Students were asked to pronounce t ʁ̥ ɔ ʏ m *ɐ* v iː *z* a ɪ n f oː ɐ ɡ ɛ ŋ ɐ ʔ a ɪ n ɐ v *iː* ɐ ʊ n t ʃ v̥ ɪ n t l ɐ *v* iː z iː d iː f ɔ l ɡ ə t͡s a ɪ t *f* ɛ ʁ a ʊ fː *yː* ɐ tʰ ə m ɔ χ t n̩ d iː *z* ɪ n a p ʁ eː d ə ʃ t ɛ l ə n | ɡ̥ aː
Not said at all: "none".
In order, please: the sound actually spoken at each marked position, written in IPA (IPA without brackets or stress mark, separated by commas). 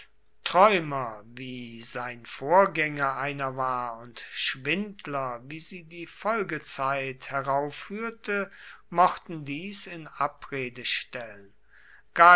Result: ɐ, z, aː, v, h, yː, s